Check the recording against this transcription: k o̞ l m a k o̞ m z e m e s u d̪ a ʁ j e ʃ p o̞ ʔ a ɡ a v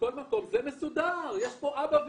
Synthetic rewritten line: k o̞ l m a k o̞ m z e m e s u d̪ a ʁ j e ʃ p o̞ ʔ a b a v